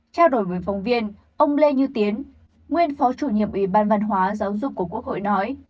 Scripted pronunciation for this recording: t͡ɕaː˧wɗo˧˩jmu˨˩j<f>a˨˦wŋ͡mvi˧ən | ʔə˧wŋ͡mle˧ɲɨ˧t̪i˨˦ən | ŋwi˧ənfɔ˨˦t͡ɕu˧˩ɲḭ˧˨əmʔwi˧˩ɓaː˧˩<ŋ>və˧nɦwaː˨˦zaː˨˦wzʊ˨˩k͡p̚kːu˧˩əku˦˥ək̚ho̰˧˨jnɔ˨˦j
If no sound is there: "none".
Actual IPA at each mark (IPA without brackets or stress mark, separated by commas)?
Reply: f, n